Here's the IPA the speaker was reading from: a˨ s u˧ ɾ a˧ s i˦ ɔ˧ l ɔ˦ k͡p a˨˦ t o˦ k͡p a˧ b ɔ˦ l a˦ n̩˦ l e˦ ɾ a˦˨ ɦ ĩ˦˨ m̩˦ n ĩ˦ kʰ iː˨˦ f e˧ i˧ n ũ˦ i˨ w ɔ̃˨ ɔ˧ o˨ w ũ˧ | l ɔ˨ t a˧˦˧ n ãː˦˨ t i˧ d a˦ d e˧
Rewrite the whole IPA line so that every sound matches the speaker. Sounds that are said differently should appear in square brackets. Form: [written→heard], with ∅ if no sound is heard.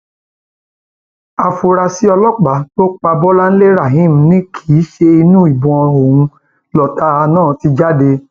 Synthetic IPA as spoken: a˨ [s→f] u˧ ɾ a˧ s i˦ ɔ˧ l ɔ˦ k͡p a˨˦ t o˦ k͡p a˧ b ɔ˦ l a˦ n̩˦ l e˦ ɾ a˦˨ ɦ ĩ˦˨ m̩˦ n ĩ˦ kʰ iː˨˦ [f→ʃ] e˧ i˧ n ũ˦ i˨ [w→b] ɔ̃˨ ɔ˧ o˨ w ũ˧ | l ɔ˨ t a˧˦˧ n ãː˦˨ t i˧ [d→d͡ʒ] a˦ d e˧